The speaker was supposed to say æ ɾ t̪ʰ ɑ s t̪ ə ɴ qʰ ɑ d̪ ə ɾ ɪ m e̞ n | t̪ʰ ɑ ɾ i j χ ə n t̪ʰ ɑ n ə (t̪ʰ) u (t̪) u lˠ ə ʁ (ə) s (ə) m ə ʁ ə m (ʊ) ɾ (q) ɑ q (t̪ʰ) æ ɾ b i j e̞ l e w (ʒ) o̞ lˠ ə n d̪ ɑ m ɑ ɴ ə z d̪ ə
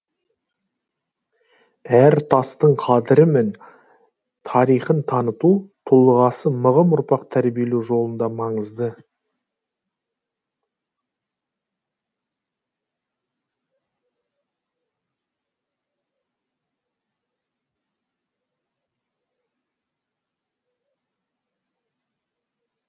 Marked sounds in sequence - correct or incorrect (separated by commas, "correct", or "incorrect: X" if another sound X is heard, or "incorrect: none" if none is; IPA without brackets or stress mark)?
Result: incorrect: t̪, incorrect: t̪ʰ, incorrect: ɑ, correct, correct, incorrect: p, correct, correct